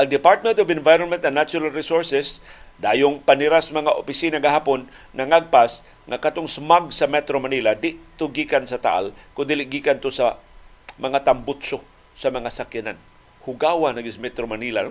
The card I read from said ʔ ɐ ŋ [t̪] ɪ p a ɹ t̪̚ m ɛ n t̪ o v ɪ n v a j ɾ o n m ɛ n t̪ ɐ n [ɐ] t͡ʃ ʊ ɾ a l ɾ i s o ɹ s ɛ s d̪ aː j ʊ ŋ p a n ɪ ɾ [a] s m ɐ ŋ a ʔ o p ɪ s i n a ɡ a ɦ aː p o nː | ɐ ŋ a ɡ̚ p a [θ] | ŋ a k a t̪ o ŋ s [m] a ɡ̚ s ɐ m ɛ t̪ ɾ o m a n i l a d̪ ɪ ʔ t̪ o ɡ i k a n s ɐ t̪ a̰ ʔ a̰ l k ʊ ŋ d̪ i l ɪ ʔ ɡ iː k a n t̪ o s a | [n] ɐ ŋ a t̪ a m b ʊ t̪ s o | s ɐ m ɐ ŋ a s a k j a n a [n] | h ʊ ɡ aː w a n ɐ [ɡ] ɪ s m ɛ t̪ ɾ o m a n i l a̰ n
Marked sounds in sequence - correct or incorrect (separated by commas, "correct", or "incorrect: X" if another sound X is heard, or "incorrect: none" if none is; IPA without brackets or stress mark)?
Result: incorrect: d̪, incorrect: a, correct, incorrect: s, correct, incorrect: m, correct, correct